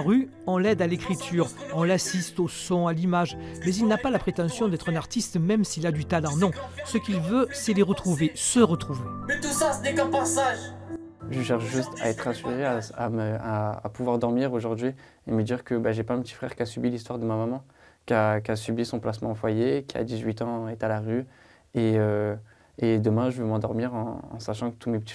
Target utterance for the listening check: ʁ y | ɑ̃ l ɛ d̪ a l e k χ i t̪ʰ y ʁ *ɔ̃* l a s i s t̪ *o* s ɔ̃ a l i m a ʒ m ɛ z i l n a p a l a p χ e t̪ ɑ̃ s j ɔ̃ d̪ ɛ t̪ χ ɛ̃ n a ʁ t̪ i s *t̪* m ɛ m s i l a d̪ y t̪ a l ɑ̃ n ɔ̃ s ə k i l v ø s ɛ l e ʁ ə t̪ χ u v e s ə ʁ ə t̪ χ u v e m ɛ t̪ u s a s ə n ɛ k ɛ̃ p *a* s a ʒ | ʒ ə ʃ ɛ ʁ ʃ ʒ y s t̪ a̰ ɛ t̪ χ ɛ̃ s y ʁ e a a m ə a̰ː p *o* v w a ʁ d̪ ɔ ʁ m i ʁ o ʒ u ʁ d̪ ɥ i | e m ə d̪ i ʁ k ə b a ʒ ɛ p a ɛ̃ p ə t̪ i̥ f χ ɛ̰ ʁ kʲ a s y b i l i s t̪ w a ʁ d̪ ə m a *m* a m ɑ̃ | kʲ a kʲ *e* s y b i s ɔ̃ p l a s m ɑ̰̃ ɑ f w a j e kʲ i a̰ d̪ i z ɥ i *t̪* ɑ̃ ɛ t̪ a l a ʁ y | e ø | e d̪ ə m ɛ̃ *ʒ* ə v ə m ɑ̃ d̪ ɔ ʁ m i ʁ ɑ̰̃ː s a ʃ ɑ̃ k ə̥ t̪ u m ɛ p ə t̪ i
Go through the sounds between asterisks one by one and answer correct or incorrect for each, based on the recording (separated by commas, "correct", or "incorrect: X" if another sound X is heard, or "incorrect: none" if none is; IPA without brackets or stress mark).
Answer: correct, correct, correct, correct, incorrect: u, correct, incorrect: a, correct, correct